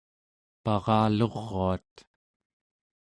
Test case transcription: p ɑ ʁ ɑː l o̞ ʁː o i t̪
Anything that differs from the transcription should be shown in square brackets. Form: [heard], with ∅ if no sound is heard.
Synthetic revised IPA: p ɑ ʁ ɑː l o̞ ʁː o [a] t̪